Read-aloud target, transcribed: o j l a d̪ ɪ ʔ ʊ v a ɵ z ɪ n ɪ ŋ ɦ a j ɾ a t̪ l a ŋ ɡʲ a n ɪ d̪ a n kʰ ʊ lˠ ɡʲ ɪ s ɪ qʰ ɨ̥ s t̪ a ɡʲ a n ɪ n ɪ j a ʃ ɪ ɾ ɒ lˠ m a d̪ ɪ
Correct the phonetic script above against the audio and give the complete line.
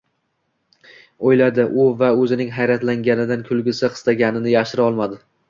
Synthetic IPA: o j l a d̪ ɪ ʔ ʊ v a ɵ z ɪ n ɪ ŋ ɦ a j ɾ a t̪ l a ŋ ɡʲ a n ɪ d̪ a n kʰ ʊ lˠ ɡʲ ɪ s ɪ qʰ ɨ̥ s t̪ a ɡʲ a n ɪ n ɪ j a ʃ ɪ ɾ ɒ lˠ m a d̪ ɪ